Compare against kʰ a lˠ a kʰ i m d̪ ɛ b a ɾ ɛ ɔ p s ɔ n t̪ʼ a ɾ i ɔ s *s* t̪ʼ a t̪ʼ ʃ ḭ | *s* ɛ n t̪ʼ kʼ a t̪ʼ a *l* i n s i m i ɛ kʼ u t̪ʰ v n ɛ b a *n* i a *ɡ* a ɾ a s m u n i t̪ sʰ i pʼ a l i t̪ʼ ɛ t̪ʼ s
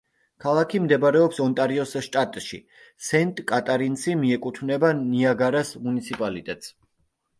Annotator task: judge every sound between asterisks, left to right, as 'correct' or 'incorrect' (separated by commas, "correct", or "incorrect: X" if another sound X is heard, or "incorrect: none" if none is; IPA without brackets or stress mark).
incorrect: ʃ, correct, incorrect: ɾ, correct, correct